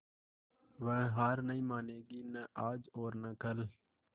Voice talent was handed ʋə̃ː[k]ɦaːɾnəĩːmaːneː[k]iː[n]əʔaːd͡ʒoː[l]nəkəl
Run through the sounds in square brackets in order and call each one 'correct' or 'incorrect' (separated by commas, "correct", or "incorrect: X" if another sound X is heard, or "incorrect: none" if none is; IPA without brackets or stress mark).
incorrect: none, incorrect: ɡ, correct, incorrect: ɾ